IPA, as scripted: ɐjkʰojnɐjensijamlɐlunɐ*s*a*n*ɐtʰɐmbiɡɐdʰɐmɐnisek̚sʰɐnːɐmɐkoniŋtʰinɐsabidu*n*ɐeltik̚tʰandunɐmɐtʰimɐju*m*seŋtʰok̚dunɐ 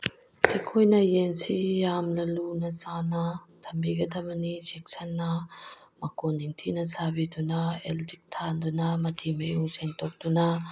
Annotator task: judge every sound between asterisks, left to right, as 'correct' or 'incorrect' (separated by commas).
correct, correct, correct, incorrect